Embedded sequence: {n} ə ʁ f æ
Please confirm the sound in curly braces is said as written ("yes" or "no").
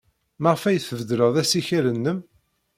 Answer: no